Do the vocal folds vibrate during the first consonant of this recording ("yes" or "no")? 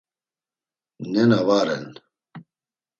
yes